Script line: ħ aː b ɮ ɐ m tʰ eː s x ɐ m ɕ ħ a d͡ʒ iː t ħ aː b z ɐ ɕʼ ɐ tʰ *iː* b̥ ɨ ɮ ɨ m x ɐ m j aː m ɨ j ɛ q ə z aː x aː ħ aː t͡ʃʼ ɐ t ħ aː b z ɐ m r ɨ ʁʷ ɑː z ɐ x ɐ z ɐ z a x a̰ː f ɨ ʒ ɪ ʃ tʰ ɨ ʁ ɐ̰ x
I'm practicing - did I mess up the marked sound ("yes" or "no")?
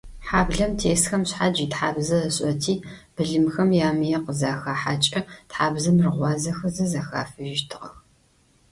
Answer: no